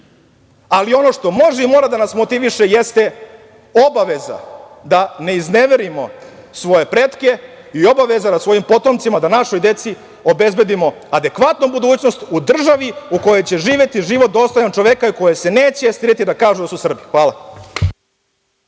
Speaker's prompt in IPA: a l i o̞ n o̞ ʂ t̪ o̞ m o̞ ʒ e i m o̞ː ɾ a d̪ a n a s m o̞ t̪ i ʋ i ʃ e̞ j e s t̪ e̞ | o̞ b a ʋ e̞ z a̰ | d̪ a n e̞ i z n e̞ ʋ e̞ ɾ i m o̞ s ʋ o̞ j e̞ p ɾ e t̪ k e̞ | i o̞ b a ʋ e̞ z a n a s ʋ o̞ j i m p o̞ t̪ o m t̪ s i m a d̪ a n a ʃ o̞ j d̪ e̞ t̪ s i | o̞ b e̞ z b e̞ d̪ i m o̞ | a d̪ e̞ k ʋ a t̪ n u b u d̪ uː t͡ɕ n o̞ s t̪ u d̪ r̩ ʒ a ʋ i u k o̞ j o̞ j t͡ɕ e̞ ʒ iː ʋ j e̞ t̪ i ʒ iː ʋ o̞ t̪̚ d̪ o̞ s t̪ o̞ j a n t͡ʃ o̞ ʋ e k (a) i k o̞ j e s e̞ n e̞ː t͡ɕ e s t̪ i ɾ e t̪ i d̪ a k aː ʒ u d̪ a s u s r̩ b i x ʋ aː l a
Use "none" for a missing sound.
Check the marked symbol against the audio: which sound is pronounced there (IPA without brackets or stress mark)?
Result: a